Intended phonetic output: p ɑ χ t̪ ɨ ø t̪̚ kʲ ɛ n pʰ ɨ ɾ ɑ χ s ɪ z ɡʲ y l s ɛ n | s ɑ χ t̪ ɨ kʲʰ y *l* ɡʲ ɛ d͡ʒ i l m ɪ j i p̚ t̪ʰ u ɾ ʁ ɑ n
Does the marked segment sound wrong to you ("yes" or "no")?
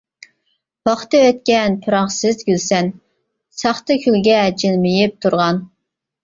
no